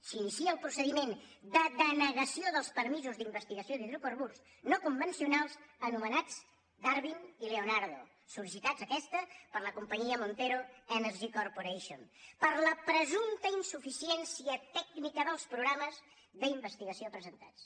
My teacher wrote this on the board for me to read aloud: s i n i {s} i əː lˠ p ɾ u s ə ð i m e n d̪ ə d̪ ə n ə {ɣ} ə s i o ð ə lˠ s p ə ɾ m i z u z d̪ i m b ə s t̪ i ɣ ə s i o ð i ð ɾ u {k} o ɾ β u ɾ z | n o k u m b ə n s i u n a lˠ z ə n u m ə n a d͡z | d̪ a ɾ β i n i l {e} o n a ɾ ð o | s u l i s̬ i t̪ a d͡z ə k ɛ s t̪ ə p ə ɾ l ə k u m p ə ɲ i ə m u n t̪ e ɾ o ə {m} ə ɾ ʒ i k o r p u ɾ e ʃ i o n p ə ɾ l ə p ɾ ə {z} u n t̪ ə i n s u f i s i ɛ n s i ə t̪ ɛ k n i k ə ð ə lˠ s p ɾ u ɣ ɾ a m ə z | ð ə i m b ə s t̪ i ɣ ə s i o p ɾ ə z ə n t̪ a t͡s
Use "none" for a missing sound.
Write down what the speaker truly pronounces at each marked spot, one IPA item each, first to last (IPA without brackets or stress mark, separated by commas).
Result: s, ɣ, k, e, n, z